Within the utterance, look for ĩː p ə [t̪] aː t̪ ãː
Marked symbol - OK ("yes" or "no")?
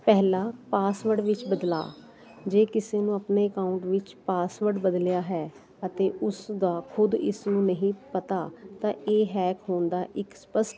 yes